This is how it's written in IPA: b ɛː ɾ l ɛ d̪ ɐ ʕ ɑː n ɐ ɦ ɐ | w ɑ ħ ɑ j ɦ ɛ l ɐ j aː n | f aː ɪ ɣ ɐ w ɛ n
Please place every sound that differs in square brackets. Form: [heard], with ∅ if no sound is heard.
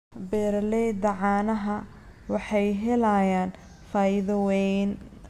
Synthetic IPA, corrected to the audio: b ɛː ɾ l ɛ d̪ ɐ ʕ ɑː n ɐ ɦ ɐ | w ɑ ħ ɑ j ɦ ɛ l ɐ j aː n | f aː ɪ [ð] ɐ w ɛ n